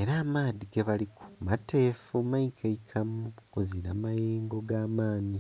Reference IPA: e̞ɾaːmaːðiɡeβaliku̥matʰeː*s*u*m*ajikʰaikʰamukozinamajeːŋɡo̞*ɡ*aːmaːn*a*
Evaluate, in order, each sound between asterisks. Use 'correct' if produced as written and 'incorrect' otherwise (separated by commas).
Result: incorrect, correct, correct, incorrect